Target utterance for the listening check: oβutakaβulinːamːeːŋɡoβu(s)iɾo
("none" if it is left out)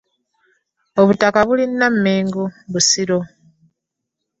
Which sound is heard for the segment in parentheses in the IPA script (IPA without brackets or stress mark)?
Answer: s